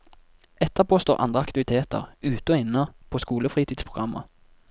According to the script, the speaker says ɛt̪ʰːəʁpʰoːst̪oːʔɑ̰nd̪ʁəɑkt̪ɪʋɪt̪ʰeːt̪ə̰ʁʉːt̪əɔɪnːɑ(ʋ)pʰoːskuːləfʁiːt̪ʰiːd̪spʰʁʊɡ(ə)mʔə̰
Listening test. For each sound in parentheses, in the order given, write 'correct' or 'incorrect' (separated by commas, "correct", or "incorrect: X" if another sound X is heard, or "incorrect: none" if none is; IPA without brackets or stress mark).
incorrect: none, incorrect: ɑ